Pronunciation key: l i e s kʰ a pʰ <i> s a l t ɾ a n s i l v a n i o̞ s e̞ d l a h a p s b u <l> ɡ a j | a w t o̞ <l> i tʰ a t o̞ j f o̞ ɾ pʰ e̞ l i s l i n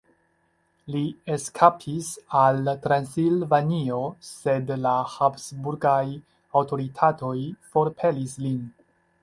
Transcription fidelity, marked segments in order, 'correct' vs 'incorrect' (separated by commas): correct, incorrect, incorrect